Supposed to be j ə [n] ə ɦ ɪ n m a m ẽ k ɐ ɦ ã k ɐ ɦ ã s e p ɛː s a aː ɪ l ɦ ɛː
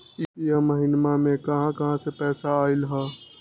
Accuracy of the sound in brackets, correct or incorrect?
incorrect